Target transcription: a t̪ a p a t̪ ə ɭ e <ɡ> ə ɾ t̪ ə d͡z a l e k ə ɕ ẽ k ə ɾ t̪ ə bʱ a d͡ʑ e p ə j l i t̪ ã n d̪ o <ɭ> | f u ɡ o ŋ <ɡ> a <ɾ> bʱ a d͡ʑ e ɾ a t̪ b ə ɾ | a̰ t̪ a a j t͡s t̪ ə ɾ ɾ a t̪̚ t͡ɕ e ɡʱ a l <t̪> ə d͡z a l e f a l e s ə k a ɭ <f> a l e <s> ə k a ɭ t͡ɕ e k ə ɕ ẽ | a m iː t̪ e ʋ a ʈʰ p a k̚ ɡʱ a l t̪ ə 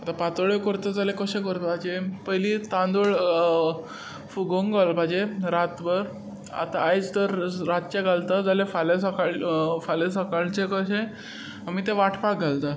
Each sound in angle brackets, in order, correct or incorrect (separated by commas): incorrect, correct, correct, incorrect, correct, correct, correct